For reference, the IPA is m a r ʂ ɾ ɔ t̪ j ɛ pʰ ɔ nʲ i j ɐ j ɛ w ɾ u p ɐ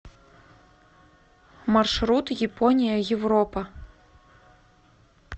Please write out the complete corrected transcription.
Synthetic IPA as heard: m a r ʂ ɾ u t̪ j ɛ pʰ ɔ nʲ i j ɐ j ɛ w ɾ ɔ p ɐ